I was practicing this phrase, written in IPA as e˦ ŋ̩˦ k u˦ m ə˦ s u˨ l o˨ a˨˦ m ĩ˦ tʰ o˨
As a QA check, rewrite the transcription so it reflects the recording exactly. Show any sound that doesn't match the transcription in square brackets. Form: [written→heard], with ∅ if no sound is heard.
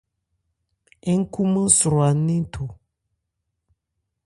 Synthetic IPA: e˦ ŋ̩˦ k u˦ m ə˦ s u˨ [l→ɾ] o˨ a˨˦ [m→n] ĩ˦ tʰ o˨